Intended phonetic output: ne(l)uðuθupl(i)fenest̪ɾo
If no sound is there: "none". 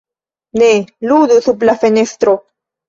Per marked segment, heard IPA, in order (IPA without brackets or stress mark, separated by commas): l, a